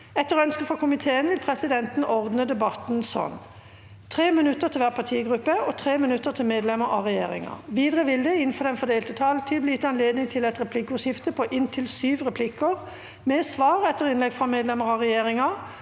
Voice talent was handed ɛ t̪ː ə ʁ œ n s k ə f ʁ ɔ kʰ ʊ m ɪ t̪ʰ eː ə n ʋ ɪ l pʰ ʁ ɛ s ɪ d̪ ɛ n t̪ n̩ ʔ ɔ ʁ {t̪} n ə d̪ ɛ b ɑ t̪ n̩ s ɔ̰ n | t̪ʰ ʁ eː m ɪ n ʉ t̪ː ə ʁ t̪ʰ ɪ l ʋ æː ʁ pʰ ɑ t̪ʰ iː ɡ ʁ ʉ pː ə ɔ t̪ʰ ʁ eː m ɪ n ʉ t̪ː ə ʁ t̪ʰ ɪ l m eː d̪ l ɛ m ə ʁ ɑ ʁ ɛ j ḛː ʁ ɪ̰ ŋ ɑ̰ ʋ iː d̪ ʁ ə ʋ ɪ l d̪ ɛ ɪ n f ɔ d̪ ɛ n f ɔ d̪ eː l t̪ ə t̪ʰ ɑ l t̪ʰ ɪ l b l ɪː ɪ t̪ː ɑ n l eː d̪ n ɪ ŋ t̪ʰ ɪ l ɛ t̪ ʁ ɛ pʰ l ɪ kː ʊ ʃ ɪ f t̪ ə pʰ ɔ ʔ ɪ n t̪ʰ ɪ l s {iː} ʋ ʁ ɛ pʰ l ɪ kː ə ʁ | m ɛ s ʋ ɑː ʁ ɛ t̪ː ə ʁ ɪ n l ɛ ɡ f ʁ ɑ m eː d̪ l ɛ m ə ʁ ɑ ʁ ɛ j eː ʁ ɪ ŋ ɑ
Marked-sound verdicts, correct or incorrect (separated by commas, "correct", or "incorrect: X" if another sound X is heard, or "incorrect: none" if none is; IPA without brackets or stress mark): incorrect: d̪, incorrect: yː